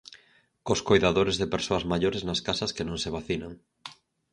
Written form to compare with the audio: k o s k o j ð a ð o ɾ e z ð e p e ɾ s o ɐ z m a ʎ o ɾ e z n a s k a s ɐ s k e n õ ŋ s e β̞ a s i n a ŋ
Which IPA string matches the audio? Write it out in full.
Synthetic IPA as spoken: k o s k o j ð a ð o ɾ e z ð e p e ɾ s o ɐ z m a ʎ o ɾ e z n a s k a s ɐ s k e n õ ŋ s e β̞ a θ i n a ŋ